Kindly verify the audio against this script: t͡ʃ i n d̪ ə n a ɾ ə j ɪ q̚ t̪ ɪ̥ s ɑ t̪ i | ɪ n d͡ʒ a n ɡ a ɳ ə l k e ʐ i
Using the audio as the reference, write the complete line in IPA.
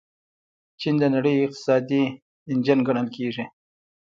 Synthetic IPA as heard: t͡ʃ i n d̪ ə n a ɽ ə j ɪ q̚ t̪ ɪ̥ s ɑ d̪ i | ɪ n d͡ʒ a n ɡ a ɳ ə l k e ʐ i